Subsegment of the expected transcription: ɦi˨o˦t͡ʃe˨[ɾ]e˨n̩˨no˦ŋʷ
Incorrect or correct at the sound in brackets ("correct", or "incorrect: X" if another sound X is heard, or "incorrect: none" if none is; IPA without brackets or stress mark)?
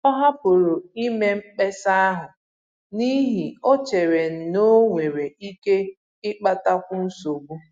correct